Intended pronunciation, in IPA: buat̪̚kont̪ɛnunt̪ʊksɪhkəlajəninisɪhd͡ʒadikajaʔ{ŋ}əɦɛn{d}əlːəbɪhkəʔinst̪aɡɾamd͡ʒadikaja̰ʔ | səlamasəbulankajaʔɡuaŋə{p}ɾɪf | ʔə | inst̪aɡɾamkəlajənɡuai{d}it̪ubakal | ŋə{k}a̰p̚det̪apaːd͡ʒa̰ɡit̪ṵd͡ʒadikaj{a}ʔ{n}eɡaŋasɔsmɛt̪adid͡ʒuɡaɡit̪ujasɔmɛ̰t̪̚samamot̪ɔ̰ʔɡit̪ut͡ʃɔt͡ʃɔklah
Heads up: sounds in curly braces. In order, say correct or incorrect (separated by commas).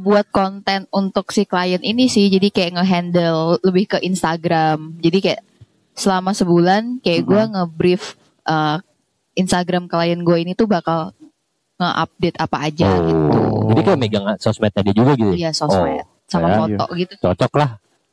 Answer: correct, correct, incorrect, incorrect, incorrect, correct, incorrect